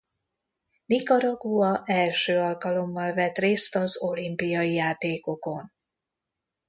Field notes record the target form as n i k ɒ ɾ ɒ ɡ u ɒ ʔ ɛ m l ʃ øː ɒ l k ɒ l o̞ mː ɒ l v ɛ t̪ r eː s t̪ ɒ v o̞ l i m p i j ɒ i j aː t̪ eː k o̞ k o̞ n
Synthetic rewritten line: n i k ɒ ɾ ɒ ɡ u ɒ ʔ ɛ l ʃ øː ɒ l k ɒ l o̞ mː ɒ l v ɛ t̪ r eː s t̪ ɒ z o̞ l i m p i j ɒ i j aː t̪ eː k o̞ k o̞ n